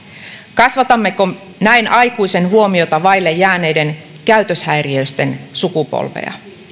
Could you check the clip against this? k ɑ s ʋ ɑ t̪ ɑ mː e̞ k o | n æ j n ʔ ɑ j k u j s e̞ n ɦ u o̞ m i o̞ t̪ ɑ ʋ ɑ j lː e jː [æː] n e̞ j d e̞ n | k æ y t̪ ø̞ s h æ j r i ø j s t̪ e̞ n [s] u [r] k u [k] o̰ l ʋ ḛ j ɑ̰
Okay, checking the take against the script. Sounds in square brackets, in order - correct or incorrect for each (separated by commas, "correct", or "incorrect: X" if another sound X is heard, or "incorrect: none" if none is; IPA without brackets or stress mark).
correct, correct, incorrect: none, incorrect: p